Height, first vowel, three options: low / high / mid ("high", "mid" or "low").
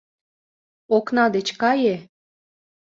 mid